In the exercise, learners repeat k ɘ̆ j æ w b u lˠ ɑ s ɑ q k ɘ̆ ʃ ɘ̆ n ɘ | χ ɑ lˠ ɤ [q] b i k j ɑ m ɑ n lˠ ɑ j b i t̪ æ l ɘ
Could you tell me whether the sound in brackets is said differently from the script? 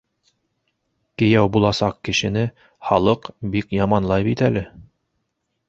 no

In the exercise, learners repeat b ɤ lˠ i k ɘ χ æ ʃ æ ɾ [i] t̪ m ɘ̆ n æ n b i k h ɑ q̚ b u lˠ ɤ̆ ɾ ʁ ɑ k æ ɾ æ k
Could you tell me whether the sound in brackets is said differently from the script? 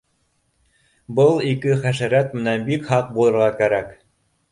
yes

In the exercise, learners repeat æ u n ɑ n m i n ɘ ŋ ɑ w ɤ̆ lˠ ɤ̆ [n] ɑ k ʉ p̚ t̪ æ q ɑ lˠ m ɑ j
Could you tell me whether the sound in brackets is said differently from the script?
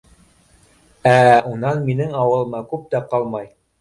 yes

